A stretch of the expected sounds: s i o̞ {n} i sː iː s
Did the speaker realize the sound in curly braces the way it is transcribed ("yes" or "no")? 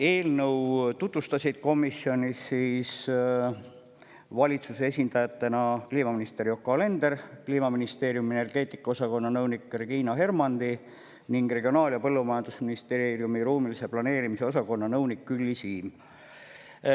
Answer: yes